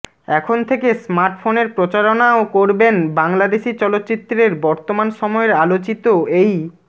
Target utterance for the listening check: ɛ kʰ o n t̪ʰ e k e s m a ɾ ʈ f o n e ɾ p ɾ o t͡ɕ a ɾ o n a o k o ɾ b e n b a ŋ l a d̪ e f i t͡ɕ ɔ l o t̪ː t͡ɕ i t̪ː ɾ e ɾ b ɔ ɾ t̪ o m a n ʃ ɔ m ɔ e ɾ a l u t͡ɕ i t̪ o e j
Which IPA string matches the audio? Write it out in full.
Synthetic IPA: ɛ kʰ o n t̪ʰ e k e s m a ɾ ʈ f o n e ɾ p ɾ o t͡ɕ a ɾ o n a o k o ɾ b e n b a ŋ l a d̪ e ʃ i t͡ɕ ɔ l o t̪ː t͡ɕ i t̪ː ɾ e ɾ b ɔ ɾ t̪ o m a n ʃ ɔ m ɔ e ɾ a l o t͡ɕ i t̪ o e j

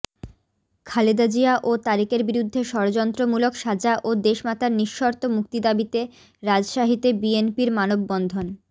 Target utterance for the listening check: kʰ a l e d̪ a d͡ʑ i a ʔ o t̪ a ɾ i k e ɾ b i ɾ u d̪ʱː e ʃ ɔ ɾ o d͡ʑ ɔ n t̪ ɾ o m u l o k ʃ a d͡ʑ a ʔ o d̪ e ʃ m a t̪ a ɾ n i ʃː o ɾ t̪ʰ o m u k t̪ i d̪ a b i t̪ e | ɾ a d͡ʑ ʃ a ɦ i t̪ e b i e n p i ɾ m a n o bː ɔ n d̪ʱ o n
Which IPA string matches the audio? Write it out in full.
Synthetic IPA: kʰ a l e d̪ a d͡ʑ i a ʔ o t̪ a ɾ i k e ɾ b i ɾ u d̪ʱː e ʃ ɔ ɾ o d͡ʑ ɔ n t̪ ɾ o m u l o k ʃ a d͡ʑ a ʔ o d̪ e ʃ m a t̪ a ɾ n i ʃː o ɾ t̪ o m u k t̪ i d̪ a b i t̪ e | ɾ a d͡ʑ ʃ a ɦ i t̪ e b i e n p i ɾ m a n o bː ɔ n d̪ʱ o n

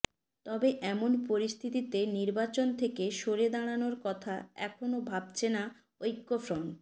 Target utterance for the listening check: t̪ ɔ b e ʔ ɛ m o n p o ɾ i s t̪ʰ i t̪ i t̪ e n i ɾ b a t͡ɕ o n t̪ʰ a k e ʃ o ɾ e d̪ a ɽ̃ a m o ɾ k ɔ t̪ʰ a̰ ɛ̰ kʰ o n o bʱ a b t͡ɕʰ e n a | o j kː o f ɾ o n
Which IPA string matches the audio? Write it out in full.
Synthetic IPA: t̪ ɔ b e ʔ ɛ m o n p o ɾ i s t̪ʰ i t̪ i t̪ e n i ɾ b a t͡ɕ o n t̪ʰ e k e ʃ o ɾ e d̪ a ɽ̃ a n o ɾ k ɔ t̪ʰ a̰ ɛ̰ kʰ o n o bʱ a b t͡ɕʰ e n a | o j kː o f ɾ o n

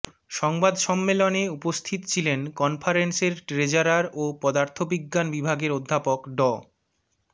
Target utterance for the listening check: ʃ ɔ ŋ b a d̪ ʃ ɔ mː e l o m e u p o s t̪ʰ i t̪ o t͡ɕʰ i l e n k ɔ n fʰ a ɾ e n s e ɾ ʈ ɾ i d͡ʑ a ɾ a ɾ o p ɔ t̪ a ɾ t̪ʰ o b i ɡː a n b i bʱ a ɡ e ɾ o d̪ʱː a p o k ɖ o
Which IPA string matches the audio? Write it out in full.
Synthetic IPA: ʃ ɔ ŋ b a d̪ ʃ ɔ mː e l o n e u p o s t̪ʰ i t̪ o t͡ɕʰ i l e n k ɔ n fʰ a ɾ e n s e ɾ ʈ ɾ e d͡ʑ a ɾ a ɾ o p ɔ d̪ a ɾ t̪ʰ o b i ɡː a n b i bʱ a ɡ e ɾ o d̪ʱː a p o k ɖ ɔ

